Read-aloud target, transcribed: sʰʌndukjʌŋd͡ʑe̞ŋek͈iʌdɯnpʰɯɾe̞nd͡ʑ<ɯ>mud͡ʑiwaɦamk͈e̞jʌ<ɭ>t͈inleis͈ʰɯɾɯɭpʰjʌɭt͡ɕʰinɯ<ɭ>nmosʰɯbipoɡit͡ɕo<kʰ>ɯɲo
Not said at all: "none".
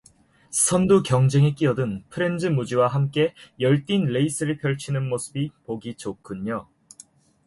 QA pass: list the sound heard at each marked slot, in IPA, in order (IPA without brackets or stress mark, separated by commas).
ɯ, ɭ, none, kʰ